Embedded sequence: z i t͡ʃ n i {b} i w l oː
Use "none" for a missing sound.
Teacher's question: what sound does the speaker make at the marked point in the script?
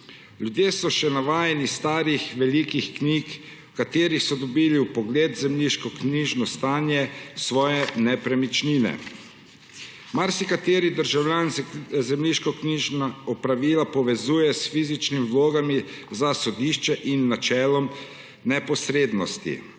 m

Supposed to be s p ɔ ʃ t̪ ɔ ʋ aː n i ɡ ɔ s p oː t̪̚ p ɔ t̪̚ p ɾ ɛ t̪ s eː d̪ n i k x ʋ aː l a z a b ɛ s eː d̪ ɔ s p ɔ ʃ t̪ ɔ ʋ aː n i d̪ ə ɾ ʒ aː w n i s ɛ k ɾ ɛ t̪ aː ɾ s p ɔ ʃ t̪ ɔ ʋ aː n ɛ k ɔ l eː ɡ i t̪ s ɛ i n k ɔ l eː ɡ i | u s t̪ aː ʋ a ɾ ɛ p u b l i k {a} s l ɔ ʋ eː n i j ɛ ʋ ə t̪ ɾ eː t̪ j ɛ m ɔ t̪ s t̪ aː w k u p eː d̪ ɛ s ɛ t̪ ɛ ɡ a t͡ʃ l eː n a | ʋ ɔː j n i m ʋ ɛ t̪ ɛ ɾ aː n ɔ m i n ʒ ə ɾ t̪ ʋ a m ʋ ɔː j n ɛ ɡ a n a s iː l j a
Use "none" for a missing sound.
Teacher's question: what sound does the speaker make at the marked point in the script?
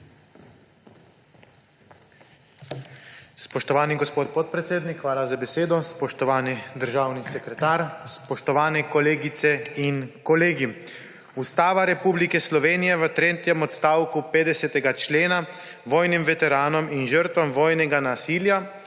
ɛ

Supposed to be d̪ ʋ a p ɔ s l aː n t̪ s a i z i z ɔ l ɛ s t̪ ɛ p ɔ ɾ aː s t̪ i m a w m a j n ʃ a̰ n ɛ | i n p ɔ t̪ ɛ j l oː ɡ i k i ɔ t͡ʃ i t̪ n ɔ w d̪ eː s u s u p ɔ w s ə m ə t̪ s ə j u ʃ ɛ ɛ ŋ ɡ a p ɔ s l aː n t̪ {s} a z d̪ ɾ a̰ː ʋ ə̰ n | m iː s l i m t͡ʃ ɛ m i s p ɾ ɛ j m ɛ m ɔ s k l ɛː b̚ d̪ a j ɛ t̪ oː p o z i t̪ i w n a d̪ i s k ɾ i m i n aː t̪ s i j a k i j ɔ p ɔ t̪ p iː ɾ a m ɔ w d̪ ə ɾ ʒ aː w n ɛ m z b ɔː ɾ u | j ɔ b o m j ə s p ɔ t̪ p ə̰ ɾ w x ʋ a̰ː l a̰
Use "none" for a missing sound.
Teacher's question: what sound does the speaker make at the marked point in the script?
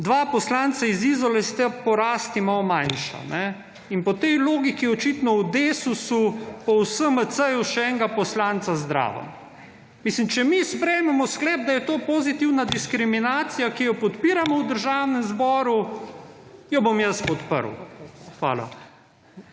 s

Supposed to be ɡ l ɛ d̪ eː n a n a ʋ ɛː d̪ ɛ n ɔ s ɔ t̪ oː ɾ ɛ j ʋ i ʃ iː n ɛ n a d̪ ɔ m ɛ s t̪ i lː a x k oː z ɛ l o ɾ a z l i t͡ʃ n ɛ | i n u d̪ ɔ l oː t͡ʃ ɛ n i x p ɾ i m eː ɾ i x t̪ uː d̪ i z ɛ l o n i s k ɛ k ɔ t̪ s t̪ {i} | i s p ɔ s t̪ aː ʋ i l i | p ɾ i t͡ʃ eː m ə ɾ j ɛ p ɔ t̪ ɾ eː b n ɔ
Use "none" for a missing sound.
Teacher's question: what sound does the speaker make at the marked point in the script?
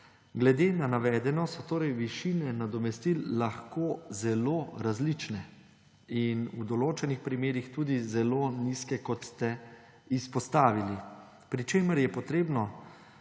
ɛ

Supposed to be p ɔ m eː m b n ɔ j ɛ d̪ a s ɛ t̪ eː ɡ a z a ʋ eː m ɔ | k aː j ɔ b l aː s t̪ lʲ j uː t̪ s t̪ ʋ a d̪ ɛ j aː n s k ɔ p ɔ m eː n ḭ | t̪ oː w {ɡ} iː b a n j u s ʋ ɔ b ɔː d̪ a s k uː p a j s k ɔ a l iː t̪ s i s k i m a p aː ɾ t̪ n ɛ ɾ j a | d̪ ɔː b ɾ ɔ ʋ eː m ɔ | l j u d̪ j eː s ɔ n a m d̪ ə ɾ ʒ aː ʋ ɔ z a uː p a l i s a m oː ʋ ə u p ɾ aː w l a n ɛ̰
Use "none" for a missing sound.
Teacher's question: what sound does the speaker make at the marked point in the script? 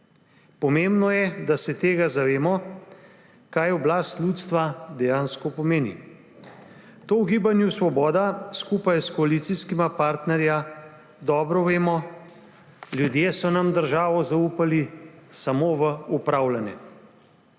ɡ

